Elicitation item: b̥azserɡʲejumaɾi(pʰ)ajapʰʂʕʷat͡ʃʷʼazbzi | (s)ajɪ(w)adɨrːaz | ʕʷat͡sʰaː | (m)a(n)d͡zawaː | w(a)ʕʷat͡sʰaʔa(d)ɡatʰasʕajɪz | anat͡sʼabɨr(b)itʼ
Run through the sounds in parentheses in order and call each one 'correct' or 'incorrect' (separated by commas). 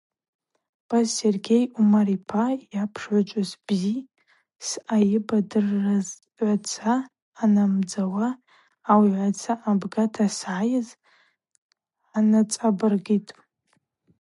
correct, correct, incorrect, incorrect, incorrect, incorrect, incorrect, incorrect